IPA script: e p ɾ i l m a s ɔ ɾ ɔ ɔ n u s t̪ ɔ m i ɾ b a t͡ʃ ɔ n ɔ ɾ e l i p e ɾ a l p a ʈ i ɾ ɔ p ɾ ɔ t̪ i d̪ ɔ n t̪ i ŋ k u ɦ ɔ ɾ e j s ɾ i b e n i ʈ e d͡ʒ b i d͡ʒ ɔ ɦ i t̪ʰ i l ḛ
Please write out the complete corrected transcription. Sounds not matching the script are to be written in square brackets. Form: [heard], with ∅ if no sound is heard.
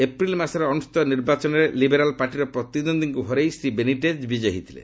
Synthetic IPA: e p ɾ i l m a s ɔ ɾ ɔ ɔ n u s t̪ ɔ [n] i ɾ b a t͡ʃ ɔ n ɔ ɾ e l i [b] e ɾ a l p a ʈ i ɾ ɔ p ɾ ɔ t̪ i d̪ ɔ n [d̪] i ŋ k u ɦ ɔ ɾ e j s ɾ i b e n i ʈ e d͡ʒ b i d͡ʒ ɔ ɦ i t̪ʰ i l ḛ

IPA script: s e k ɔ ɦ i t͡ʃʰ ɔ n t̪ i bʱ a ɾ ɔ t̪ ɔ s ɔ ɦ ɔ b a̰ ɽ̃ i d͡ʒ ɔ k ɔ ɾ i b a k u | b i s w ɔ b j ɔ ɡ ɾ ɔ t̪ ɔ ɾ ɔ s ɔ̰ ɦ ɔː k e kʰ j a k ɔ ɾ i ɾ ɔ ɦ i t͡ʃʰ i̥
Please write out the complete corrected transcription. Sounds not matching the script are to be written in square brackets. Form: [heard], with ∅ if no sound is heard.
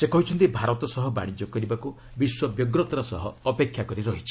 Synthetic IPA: s e k ɔ ɦ i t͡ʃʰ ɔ n t̪ i bʱ a ɾ ɔ t̪ ɔ s ɔ ɦ ɔ b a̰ ɽ̃ i d͡ʒ ɔ k ɔ ɾ i b a k u | b i s w ɔ b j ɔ ɡ ɾ ɔ t̪ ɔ ɾ ɔ s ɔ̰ ɦ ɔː [p] e kʰ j a k ɔ ɾ i ɾ ɔ ɦ i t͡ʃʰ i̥

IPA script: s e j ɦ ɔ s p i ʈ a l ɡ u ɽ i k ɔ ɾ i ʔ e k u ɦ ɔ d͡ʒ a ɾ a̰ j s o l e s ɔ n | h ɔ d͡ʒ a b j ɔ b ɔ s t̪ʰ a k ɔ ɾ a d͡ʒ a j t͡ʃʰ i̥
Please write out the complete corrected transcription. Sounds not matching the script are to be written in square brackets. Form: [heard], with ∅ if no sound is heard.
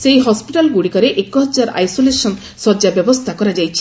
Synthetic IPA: s e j ɦ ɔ s p i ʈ a l ɡ u ɽ i k ɔ ɾ [e] ʔ e k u ɦ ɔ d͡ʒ a ɾ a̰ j s o l e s ɔ n | [s] ɔ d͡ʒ a b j ɔ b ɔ s t̪ʰ a k ɔ ɾ a d͡ʒ a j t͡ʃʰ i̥

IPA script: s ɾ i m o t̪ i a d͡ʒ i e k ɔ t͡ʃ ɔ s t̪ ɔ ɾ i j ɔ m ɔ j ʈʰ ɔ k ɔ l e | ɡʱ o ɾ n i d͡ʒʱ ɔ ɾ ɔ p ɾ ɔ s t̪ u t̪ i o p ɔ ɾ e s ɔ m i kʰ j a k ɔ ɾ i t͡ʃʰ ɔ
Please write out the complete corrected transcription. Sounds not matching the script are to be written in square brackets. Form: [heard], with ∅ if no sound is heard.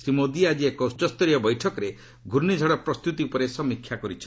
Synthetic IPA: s ɾ i m o [d̪] i a d͡ʒ i e k ɔ t͡ʃ ɔ s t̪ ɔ ɾ i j ɔ [b] ɔ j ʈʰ ɔ k ɔ [ɾ] e | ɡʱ [u] ɾ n i d͡ʒʱ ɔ [ɽ] ɔ p ɾ ɔ s t̪ u t̪ i [u] p ɔ ɾ e s ɔ m i kʰ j a k ɔ ɾ i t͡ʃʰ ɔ

